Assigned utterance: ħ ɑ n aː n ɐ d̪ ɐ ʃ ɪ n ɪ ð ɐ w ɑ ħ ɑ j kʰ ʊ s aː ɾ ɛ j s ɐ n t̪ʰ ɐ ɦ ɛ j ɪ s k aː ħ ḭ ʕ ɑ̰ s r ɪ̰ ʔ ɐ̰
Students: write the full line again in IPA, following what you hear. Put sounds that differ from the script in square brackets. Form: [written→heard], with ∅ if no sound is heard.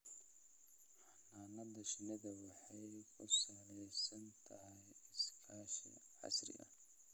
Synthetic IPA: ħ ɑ n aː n ɐ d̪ ɐ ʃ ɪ n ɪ ð ɐ w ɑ ħ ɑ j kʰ ʊ s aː [ɾ→l] ɛ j s ɐ n t̪ʰ ɐ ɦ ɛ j ɪ s [k→kʰ] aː [ħ→ʃ] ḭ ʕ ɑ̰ s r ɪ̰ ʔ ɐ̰